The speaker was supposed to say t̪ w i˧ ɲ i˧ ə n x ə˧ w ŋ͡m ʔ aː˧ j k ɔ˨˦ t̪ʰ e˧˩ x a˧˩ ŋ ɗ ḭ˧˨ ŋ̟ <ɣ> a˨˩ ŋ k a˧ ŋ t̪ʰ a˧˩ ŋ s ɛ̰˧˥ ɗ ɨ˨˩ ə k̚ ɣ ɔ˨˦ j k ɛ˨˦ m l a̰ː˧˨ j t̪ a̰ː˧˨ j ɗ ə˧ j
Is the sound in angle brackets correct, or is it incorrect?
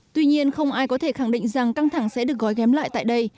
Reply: incorrect